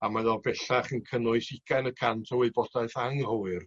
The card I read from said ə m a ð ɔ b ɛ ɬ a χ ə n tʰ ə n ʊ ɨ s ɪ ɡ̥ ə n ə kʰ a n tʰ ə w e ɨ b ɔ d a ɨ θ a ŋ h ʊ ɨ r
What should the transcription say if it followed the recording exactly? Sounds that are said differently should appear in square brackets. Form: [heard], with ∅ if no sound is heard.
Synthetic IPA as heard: [a] m a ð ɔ b ɛ ɬ a χ ə n [kʰ] ə n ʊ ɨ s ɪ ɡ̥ [a] n ə kʰ a n tʰ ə w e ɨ b ɔ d a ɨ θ a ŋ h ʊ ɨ r